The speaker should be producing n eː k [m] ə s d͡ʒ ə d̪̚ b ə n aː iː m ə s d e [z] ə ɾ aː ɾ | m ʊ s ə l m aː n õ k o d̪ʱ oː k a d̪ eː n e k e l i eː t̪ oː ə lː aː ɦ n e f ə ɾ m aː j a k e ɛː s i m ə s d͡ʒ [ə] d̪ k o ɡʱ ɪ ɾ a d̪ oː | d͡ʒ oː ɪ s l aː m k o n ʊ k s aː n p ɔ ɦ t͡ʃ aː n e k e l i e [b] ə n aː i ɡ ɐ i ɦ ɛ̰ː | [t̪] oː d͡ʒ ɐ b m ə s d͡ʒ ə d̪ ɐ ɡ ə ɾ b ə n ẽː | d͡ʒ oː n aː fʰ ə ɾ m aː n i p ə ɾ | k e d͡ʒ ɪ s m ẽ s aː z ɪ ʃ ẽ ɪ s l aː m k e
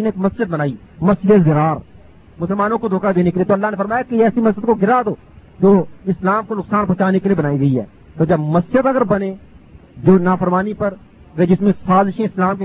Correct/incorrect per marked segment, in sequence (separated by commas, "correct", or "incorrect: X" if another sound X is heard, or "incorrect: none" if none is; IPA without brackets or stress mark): correct, correct, correct, correct, correct